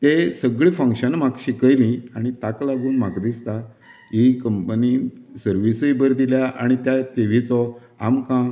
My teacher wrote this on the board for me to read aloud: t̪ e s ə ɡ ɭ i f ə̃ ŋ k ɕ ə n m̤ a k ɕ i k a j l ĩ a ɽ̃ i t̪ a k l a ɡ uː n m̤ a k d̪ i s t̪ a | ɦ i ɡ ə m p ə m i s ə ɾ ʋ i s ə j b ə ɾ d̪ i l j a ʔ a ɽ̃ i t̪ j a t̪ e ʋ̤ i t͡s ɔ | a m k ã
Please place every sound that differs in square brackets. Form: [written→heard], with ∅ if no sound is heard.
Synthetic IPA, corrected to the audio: t̪ e s ə ɡ ɭ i f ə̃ ŋ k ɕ ə n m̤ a k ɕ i k [a→ə] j l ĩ a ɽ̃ i t̪ a k l a ɡ uː n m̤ a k d̪ i s t̪ a | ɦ i [ɡ→k] ə m p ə [m→n] i s ə ɾ ʋ i s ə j b ə ɾ d̪ i l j a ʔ a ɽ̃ i t̪ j a t̪ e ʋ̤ i t͡s ɔ | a m k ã

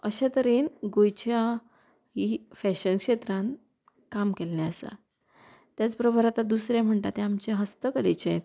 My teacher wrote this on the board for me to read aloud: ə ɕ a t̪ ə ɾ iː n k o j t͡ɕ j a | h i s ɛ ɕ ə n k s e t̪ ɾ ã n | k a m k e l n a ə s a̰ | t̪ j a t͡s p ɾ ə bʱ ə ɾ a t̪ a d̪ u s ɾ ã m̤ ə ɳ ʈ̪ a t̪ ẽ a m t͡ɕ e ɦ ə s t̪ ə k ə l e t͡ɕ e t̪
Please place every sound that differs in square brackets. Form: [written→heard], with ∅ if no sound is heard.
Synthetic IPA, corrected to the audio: ə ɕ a t̪ ə ɾ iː n [k→ɡ] o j t͡ɕ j a | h i [s→f] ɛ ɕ ə n k [s→ʂ] e t̪ ɾ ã n | k a m k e l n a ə s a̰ | t̪ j a t͡s p ɾ ə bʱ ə ɾ a t̪ a d̪ u s ɾ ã m̤ ə ɳ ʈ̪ a t̪ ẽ a m t͡ɕ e ɦ ə s t̪ ə k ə l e t͡ɕ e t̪

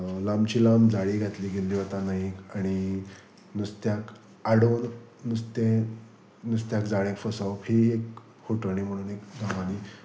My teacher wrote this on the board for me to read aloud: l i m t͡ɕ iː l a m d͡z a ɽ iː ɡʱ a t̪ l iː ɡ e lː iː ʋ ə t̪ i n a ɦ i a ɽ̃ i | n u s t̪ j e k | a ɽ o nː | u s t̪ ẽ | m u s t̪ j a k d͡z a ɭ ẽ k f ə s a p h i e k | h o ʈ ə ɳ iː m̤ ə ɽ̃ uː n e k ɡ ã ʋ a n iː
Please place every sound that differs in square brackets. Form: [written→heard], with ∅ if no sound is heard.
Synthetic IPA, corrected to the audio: l [i→a] m t͡ɕ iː l a m d͡z a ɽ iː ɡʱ a t̪ l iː ɡ e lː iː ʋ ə t̪ [i→a] n a ɦ i a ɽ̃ i | n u s t̪ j [e→a] k | a ɽ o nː | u s t̪ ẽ | [m→n] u s t̪ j a k d͡z a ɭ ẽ k f ə s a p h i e k | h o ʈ ə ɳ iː m̤ ə ɽ̃ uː n e k ɡ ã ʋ a n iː

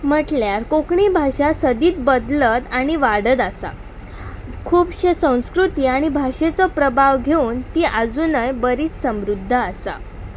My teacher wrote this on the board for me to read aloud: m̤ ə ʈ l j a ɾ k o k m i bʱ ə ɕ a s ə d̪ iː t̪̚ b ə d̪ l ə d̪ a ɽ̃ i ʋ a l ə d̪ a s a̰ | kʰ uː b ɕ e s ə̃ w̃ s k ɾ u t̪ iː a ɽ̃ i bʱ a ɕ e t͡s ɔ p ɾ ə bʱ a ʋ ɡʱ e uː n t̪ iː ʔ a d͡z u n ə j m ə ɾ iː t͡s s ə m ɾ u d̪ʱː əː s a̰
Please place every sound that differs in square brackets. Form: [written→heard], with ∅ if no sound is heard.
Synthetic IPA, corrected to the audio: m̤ ə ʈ l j a ɾ k o k [m→ɳ] i bʱ [ə→a] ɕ a s ə d̪ iː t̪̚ b ə d̪ l ə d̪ a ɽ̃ i ʋ a [l→ɽ] ə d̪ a s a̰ | kʰ uː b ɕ e s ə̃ w̃ s k ɾ u t̪ iː a ɽ̃ i bʱ a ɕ e t͡s ɔ p ɾ ə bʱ a ʋ ɡʱ e uː n t̪ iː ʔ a d͡z u n ə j [m→b] ə ɾ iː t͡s s ə m ɾ u d̪ʱː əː s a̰

